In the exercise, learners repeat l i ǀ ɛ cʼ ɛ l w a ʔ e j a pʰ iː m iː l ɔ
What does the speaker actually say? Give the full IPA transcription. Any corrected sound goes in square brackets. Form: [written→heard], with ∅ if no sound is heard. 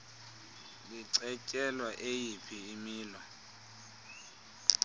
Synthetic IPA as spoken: l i ǀ ɛ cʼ ɛ l w a ʔ e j [a→i] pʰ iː m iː l ɔ